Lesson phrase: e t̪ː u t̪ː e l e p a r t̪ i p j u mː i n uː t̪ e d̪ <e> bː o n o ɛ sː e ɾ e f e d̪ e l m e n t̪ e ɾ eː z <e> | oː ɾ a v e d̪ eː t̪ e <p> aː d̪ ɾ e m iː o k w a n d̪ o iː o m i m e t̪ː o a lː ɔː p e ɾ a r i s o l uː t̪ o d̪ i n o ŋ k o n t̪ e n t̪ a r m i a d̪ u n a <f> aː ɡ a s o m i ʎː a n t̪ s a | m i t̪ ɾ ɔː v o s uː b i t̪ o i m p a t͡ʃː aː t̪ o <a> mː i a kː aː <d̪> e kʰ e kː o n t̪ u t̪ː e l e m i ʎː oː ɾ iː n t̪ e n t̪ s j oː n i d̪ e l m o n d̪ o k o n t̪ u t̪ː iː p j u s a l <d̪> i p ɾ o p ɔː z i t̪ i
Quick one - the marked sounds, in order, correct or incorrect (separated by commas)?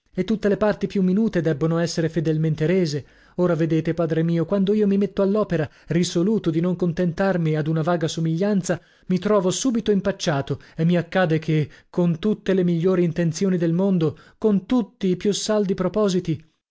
incorrect, correct, correct, incorrect, incorrect, correct, correct